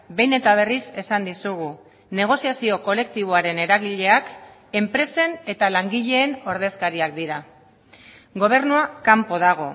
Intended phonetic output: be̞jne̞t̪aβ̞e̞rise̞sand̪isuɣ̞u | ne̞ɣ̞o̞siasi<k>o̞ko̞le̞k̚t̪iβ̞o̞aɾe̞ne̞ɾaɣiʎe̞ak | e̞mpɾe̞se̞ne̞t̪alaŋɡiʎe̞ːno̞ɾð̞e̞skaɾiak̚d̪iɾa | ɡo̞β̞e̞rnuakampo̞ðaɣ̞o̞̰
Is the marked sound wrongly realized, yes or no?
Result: yes